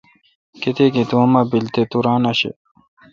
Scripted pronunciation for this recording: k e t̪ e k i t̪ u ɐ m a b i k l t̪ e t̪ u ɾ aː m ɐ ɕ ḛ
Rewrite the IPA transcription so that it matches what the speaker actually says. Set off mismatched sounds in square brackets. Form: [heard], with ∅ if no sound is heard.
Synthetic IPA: k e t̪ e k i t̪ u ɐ m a b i [∅] l t̪ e t̪ u ɾ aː [n] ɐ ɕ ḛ